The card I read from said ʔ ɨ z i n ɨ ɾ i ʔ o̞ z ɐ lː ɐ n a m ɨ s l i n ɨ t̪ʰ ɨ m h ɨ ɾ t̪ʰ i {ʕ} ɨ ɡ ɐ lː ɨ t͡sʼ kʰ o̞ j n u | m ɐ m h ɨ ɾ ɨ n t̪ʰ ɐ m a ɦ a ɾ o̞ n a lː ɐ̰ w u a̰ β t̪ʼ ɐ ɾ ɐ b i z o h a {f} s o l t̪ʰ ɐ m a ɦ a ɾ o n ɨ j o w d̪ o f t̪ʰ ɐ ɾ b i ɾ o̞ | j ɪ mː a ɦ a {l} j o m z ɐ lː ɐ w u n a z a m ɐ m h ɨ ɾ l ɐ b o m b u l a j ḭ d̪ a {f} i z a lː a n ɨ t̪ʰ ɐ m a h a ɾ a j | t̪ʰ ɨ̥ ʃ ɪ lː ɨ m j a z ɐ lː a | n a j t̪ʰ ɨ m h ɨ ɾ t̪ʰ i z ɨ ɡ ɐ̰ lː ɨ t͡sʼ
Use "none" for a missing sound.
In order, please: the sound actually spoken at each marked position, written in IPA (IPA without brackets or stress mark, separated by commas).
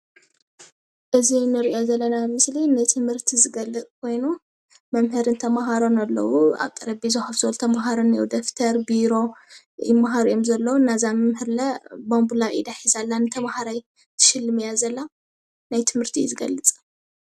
z, f, ɾ, ħ